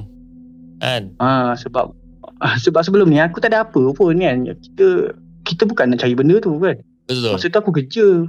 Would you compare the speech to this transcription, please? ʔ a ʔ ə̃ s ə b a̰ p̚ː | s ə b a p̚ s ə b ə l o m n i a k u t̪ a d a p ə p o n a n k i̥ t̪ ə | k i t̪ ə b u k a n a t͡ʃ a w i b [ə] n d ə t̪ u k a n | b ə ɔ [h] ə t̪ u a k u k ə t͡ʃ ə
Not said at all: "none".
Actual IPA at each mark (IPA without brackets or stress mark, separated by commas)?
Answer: ə, s